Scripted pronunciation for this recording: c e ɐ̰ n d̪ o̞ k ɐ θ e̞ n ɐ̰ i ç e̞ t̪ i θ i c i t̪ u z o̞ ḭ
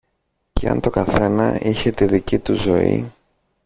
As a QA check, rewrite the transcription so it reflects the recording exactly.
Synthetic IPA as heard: c e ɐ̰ n t̪ o̞ k ɐ θ e̞ n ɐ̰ i ç e̞ t̪ i ð i c i t̪ u z o̞ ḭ